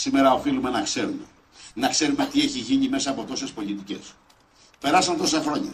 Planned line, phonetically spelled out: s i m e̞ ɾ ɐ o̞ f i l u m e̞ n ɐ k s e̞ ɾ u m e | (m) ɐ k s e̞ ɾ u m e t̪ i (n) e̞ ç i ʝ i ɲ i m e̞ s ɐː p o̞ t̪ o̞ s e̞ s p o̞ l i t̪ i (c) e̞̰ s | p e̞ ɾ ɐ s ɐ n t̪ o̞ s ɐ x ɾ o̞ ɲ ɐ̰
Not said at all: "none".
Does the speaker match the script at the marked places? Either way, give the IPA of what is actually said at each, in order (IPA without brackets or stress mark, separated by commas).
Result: n, none, c